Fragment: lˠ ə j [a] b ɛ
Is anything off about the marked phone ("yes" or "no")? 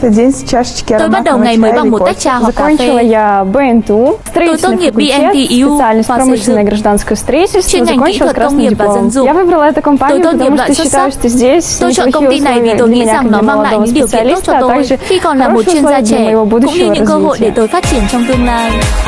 no